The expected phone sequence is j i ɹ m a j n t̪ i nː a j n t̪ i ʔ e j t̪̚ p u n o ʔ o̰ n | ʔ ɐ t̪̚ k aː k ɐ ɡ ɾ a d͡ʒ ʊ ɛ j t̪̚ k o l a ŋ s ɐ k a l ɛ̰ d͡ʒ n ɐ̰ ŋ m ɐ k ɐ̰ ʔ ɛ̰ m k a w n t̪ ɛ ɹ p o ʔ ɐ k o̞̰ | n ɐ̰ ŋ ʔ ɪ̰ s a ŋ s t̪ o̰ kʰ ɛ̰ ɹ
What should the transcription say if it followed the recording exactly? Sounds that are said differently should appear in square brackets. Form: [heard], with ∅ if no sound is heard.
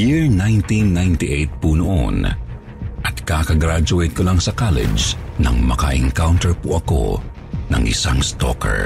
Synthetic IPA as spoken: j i ɹ [n] a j n t̪ i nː a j n t̪ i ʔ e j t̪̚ p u n o ʔ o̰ n | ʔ ɐ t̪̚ k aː k ɐ ɡ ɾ a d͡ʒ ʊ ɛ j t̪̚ k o l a ŋ s ɐ k a l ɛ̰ d͡ʒ n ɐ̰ ŋ m ɐ k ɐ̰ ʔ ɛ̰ [ŋ] k a w n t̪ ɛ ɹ p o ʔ ɐ k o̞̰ | n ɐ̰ ŋ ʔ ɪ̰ s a ŋ s t̪ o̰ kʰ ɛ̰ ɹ